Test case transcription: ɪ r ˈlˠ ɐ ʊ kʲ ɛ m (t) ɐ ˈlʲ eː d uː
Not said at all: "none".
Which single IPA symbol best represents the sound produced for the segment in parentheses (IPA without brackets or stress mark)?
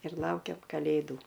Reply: k